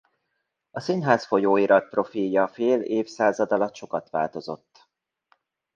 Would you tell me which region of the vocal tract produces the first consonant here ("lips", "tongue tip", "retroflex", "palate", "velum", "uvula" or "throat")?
tongue tip